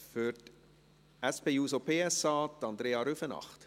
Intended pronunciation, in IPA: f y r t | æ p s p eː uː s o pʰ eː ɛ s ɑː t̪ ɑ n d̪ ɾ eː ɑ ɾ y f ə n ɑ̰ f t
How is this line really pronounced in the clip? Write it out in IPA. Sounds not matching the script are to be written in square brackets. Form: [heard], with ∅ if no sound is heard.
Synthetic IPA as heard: f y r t | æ [∅] s p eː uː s o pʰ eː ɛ s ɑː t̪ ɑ n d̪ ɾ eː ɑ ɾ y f ə n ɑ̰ [χ] t